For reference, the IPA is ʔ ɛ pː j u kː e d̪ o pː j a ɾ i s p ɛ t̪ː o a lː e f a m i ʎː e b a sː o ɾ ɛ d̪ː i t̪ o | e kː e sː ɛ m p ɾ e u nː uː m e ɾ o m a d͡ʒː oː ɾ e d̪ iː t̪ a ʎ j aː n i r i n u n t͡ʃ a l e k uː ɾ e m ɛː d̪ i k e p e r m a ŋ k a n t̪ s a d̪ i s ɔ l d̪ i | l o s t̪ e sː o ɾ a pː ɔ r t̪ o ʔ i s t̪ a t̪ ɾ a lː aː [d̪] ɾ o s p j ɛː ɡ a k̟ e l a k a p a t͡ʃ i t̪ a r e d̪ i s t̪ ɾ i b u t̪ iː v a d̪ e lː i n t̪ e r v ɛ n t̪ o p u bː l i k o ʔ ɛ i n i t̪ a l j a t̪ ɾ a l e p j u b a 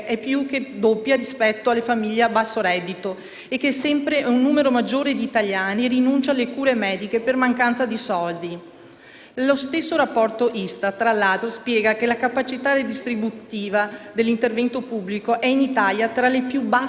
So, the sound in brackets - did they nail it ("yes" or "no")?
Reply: no